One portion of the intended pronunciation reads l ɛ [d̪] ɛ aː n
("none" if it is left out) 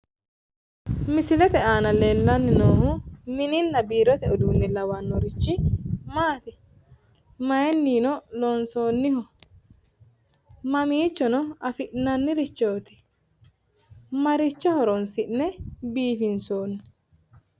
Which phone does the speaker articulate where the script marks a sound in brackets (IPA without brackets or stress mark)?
t̪